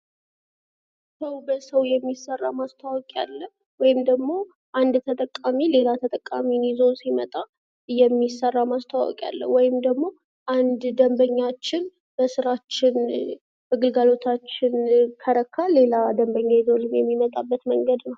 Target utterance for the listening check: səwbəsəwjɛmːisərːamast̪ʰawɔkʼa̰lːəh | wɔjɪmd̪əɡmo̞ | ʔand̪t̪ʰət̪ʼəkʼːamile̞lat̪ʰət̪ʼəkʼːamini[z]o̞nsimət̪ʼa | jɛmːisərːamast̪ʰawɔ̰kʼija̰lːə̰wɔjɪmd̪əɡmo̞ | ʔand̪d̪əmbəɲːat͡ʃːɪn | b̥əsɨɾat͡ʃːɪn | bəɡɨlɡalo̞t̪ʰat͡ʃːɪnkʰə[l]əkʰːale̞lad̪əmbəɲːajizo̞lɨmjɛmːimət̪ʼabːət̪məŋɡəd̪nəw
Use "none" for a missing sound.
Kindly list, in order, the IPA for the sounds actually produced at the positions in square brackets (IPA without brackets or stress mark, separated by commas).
z, ɾ